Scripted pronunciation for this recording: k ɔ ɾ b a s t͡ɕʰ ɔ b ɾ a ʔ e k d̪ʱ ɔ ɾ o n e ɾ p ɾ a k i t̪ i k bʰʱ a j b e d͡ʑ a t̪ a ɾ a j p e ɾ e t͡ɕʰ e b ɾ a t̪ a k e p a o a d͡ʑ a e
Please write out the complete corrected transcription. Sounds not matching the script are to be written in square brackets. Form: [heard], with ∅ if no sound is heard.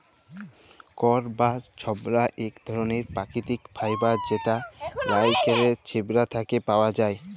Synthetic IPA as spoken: k ɔ ɾ b a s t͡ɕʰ ɔ b ɾ a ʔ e k d̪ʱ ɔ ɾ o n e ɾ p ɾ a k i t̪ i k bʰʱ a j b [a] d͡ʑ [e] t̪ a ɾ a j [k] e ɾ e t͡ɕʰ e b ɾ a [t̪ʰ] a k e p a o a d͡ʑ a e

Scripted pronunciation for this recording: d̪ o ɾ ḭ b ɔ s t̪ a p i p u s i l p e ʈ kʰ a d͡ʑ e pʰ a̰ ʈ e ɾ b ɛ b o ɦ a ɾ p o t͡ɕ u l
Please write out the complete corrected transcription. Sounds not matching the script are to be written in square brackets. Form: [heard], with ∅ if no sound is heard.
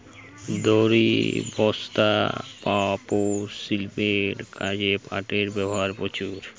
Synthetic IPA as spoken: d̪ o ɾ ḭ b ɔ s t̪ a p [a] p [o] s i l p e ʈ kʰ a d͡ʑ e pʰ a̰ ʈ e ɾ b ɛ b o ɦ a ɾ p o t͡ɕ u [ɾ]

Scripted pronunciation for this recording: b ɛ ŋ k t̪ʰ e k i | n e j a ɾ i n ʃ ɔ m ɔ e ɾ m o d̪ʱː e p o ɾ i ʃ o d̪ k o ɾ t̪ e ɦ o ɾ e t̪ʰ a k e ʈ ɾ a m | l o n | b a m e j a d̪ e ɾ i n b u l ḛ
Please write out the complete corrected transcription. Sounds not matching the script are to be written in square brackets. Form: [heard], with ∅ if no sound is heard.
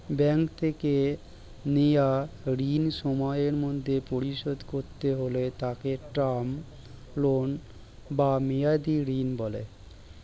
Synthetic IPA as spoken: b ɛ ŋ k t̪ʰ e k [e] | n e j a ɾ i n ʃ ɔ m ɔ e ɾ m o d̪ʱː e p o ɾ i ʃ o d̪ k o ɾ t̪ e ɦ o [l] e [t̪] a k e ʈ ɾ a m | l o n | b a m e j a d̪ [i] ɾ i n b [ɔ] l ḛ

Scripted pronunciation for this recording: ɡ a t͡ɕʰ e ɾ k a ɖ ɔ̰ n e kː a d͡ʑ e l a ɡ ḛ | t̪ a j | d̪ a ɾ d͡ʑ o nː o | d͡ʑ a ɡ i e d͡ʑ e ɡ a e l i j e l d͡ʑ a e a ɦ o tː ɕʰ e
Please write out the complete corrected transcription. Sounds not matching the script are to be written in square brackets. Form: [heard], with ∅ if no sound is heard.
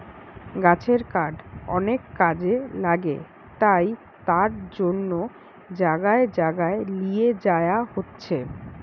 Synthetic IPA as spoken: ɡ a t͡ɕʰ e ɾ k a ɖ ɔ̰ n e kː a d͡ʑ e l a ɡ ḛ | t̪ a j | [t̪] a ɾ d͡ʑ o nː o | d͡ʑ a ɡ [a] e d͡ʑ [a] ɡ a e l i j e [∅] d͡ʑ a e a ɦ o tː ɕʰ e

